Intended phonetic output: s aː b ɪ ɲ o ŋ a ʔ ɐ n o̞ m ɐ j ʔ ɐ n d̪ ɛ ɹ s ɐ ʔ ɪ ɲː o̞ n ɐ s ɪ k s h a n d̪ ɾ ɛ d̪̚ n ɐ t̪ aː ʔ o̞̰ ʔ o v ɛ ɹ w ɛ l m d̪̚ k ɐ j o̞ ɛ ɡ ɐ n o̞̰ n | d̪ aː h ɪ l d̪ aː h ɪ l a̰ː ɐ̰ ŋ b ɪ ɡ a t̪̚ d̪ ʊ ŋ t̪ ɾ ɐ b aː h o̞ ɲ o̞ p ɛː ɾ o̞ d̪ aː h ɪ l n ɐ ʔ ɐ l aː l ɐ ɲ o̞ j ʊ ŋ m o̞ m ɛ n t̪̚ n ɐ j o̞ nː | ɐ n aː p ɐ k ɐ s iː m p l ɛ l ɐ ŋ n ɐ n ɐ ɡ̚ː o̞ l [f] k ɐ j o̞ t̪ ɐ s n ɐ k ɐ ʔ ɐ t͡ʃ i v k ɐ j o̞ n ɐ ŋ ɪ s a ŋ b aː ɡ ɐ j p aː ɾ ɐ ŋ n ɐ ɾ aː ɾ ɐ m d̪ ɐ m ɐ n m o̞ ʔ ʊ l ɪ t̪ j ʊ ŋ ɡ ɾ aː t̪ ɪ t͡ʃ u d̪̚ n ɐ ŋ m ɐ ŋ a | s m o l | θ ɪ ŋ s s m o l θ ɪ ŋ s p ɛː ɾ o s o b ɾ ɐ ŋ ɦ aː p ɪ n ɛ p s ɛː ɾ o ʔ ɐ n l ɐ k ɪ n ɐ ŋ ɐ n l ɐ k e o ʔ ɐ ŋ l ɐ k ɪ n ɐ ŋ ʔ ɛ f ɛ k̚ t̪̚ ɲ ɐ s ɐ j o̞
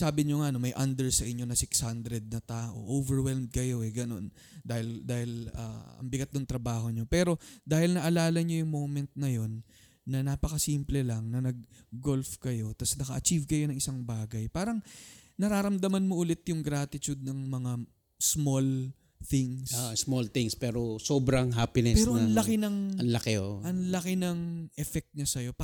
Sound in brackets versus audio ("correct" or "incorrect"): correct